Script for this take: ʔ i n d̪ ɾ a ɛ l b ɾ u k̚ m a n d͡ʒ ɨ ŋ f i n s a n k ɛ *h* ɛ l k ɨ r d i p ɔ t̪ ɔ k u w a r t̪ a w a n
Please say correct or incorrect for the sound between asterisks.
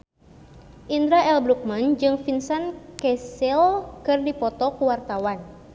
incorrect